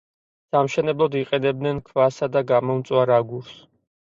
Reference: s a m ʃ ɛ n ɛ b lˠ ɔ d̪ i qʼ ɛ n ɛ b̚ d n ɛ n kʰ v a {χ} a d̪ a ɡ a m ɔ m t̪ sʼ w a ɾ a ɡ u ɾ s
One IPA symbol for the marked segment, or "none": s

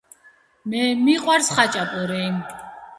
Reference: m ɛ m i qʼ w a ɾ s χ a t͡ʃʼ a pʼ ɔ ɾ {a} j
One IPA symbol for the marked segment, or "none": ɛ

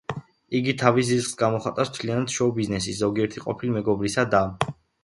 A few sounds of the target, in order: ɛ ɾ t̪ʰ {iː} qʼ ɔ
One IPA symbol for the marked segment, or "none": i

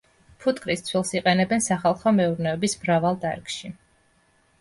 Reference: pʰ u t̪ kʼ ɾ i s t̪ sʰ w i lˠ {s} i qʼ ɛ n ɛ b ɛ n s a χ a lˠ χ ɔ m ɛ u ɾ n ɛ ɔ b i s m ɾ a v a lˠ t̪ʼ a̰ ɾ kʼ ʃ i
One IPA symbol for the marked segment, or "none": s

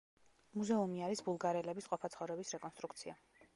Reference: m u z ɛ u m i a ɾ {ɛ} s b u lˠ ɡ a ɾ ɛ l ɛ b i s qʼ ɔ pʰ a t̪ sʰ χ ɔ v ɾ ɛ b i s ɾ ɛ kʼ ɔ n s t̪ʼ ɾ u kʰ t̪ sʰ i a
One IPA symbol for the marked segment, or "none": i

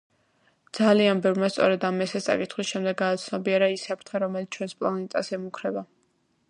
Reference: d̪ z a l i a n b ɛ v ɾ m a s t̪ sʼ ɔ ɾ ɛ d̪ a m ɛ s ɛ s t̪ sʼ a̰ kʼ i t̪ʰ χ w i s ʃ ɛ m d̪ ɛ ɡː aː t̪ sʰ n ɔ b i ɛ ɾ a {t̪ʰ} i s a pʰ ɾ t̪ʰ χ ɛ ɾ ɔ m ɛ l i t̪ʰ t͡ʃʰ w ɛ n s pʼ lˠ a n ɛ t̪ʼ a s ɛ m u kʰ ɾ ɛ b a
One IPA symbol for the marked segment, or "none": none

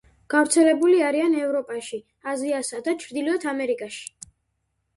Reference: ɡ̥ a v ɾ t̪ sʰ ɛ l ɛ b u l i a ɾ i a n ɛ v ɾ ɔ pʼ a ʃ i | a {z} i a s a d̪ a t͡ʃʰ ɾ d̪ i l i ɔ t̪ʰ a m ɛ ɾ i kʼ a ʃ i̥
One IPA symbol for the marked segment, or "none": z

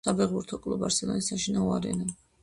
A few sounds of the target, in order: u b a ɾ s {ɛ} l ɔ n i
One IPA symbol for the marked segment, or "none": ɛ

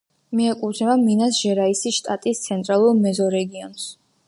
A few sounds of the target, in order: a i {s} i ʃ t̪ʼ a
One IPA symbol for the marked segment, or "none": s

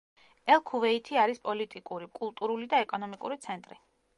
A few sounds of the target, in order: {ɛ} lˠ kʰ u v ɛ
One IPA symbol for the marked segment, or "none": ɛ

